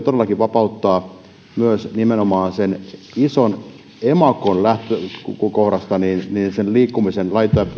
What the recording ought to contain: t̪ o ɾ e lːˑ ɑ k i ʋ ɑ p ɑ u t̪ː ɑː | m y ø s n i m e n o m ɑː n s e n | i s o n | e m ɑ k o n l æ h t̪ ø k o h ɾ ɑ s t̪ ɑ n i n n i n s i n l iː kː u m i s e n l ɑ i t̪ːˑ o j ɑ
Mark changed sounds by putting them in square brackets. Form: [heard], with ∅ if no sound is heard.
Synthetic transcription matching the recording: t̪ o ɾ e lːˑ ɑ k i ʋ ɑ p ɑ u t̪ː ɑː | m y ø s n i m e n o m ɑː n s e n | i s o n | e m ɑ k o n l æ h t̪ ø k o h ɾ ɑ s t̪ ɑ n i n n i n s [e] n l iː kː u m i s e n l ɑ i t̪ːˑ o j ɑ